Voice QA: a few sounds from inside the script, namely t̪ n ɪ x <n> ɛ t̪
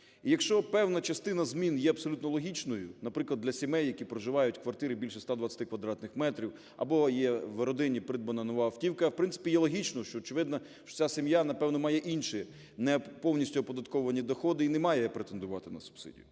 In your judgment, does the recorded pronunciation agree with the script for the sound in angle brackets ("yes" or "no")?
no